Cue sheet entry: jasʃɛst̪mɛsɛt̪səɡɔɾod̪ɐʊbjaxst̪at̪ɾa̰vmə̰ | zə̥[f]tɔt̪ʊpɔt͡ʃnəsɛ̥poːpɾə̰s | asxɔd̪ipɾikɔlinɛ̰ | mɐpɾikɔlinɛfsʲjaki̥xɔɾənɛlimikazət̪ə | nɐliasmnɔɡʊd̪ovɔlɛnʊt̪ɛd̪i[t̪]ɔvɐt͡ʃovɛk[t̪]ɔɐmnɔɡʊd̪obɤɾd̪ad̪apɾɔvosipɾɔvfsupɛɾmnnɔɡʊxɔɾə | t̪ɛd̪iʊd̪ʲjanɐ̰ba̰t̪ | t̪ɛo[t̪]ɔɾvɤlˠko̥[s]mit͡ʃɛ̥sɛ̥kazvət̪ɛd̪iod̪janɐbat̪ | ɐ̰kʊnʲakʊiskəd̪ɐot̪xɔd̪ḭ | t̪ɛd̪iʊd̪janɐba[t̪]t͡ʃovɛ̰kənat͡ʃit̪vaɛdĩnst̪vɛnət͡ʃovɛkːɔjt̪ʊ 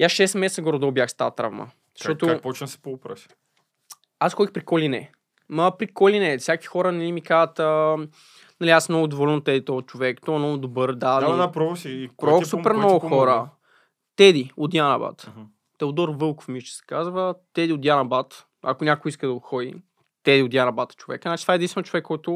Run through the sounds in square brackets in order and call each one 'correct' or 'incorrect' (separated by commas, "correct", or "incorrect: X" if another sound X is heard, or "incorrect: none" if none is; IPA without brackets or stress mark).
incorrect: ʃ, correct, correct, incorrect: d̪, incorrect: f, correct